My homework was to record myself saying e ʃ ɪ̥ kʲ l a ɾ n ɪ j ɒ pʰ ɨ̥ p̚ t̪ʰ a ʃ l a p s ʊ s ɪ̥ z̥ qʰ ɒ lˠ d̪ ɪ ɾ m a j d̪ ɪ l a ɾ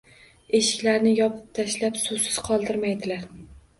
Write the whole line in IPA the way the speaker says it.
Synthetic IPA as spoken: e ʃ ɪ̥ kʲ l a ɾ n ɪ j ɒ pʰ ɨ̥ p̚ t̪ʰ a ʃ l a p s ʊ s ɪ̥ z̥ qʰ ɒ lˠ d̪ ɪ ɾ m a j d̪ ɪ l a ɾ